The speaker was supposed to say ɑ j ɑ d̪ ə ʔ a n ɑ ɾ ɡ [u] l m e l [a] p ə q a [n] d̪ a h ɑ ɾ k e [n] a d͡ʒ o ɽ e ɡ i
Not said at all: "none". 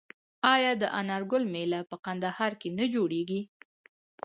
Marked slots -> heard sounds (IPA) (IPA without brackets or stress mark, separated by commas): ʊ, a, n, n